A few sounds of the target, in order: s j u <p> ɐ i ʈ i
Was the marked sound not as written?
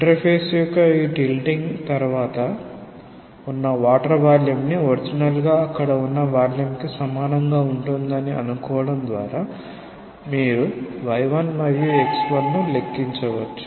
yes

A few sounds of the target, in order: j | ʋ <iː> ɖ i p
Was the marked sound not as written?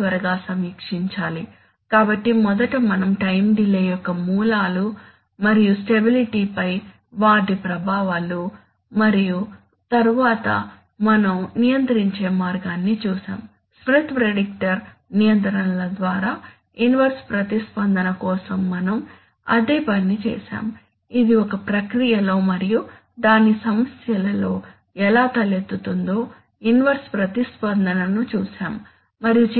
yes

